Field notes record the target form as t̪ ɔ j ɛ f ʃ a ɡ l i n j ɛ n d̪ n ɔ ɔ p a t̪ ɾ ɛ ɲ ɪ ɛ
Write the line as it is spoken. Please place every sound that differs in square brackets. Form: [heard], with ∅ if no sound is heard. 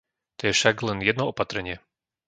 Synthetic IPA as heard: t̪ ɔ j ɛ f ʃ a ɡ l [ɛ] n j ɛ [∅] d̪ n ɔ ɔ p a t̪ ɾ ɛ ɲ ɪ ɛ